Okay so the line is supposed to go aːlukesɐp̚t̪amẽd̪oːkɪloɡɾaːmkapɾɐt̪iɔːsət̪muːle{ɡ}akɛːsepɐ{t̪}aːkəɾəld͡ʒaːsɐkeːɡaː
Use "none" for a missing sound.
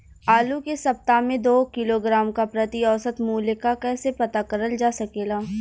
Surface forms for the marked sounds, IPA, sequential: k, t̪

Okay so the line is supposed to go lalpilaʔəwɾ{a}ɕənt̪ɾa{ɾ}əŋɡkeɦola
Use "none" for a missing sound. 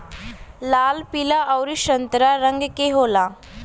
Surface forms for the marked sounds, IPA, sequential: i, ɾ

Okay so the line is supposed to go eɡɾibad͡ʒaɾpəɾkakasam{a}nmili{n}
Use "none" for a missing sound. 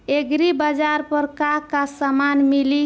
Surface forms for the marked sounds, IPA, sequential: a, none

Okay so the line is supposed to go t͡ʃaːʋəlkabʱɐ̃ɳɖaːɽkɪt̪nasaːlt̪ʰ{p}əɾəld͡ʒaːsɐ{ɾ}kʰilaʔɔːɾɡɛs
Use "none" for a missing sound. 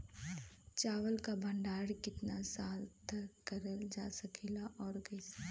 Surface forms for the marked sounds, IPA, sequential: k, none

